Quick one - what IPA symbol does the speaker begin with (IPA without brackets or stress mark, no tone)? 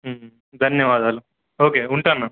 d̪ʱ